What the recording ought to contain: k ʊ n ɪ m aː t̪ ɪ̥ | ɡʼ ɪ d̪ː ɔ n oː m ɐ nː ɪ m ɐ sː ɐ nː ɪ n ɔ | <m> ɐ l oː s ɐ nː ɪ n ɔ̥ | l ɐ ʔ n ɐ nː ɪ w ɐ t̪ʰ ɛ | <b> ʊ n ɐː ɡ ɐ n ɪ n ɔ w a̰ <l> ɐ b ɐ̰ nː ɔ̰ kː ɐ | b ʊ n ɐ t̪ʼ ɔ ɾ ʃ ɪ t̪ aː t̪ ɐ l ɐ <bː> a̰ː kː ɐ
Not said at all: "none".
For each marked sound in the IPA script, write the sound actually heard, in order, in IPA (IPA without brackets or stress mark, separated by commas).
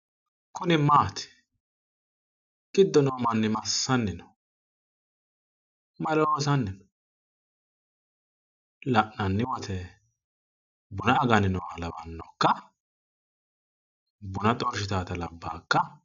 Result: m, b, l, bː